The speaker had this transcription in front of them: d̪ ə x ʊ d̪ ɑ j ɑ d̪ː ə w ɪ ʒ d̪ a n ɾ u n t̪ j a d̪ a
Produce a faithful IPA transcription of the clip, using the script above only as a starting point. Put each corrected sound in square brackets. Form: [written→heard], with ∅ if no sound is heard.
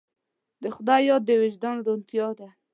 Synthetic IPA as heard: d̪ ə x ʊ d̪ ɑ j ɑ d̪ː ə w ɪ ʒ d̪ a n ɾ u n t̪ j [a→ɑ] d̪ a